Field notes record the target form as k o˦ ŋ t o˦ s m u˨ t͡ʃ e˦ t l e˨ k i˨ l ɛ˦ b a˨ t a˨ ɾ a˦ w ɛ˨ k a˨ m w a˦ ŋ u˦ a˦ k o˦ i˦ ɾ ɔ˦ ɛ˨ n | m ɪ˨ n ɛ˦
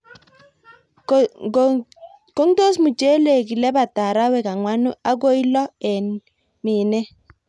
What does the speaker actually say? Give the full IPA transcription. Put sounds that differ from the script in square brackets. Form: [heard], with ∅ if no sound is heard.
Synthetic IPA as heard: k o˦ ŋ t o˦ s m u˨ t͡ʃ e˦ [∅] l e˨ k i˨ l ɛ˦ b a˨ t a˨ ɾ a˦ w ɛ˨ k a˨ [ŋ] w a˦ [n] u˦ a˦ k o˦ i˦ [l] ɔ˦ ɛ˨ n | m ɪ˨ n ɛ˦